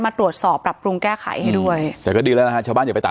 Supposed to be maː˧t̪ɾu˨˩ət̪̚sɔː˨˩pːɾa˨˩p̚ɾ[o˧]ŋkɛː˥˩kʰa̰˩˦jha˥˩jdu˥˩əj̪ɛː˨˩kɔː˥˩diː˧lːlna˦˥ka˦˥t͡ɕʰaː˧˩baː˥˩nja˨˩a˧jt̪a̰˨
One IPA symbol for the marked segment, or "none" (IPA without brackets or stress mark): u˧